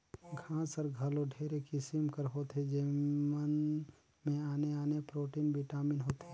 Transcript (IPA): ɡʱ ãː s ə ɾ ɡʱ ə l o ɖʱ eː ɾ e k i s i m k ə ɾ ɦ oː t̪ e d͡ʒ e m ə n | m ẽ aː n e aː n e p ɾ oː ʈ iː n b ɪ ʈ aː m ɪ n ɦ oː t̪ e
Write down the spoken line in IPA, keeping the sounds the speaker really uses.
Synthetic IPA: ɡʱ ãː s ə ɾ ɡʱ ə l o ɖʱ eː ɾ e k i s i m k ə ɾ ɦ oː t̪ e d͡ʒ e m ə n | m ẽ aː n e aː n e p ɾ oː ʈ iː n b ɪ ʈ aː m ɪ n ɦ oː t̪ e